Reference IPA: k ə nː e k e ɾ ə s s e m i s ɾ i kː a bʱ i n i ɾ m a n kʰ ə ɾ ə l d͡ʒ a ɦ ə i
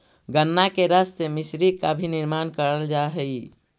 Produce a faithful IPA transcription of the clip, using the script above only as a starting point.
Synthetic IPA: ɡ ə nː a k e ɾ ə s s e m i s ɾ i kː a bʱ i n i ɾ m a n k ə ɾ ə l d͡ʒ a ɦ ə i